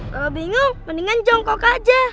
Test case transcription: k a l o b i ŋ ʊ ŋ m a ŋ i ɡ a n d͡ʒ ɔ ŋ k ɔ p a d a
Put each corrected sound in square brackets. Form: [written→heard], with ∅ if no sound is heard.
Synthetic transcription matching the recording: k a l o b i ŋ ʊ ŋ m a [ŋ→n] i [ɡ→ŋ] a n d͡ʒ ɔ ŋ k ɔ [p→k] a [d→d͡ʒ] a